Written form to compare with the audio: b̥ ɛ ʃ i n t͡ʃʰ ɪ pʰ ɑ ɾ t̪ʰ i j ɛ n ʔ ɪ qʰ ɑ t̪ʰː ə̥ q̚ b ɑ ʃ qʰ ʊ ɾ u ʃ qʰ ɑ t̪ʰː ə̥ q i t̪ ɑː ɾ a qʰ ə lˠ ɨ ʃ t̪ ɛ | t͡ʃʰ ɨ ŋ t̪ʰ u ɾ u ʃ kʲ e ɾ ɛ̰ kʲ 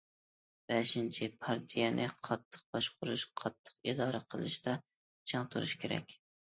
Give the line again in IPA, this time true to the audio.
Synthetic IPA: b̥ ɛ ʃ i n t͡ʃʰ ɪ pʰ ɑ ɾ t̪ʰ i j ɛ n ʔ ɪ qʰ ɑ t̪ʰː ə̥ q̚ b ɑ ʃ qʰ ʊ ɾ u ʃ qʰ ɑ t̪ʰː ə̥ q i d̪ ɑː ɾ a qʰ ə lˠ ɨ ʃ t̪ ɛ | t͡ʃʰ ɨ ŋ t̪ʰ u ɾ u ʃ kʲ e ɾ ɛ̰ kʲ